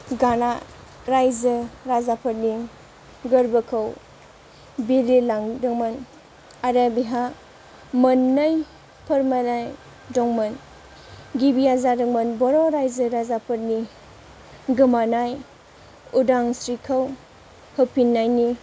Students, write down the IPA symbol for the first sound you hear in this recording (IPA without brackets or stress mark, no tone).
ɡ